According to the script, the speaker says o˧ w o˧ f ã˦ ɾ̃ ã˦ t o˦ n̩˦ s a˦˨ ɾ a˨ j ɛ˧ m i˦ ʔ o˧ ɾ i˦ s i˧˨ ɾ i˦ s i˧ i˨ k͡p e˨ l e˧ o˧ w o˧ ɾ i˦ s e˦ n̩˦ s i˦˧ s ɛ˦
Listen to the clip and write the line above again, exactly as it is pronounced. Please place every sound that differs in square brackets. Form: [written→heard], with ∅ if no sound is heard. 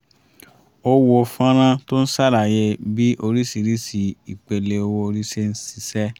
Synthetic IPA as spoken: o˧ w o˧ f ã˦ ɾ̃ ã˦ t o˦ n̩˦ s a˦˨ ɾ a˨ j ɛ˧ [m→b] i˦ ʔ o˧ ɾ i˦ s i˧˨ ɾ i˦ s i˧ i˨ k͡p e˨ l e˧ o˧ w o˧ ɾ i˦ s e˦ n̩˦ s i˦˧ s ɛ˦

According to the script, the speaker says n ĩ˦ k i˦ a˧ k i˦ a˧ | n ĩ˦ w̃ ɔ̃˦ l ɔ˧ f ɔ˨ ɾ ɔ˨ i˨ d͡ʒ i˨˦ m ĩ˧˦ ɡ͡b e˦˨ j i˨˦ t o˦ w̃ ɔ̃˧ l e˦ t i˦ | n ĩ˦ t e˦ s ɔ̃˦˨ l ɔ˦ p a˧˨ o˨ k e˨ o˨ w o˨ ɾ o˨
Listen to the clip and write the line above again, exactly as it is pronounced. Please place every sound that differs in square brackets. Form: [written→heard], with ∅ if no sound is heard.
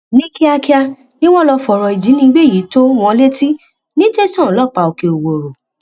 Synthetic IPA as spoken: n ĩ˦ k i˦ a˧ k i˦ a˧ | n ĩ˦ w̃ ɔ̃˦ l ɔ˧ f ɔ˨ ɾ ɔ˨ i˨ d͡ʒ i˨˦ [m→n] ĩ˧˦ ɡ͡b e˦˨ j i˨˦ t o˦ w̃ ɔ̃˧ l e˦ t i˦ | n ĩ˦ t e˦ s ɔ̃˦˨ l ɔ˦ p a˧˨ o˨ k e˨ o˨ w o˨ ɾ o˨

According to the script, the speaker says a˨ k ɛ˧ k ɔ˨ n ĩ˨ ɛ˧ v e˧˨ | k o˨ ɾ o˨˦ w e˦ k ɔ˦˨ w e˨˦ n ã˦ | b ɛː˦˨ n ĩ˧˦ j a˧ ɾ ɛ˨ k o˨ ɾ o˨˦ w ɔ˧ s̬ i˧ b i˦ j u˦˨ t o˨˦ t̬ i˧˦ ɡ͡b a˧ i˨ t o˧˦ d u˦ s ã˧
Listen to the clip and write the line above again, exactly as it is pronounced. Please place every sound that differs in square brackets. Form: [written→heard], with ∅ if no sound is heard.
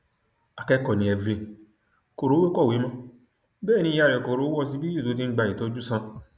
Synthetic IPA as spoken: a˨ k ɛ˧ k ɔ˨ n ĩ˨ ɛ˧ v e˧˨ | k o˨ ɾ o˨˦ w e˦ k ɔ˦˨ w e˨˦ [n→m] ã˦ | b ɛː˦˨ n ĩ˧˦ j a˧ ɾ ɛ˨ k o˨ ɾ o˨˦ w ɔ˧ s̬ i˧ b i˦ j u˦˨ t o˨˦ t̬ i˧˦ ɡ͡b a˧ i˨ t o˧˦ [d→d͡ʒ] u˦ s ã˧

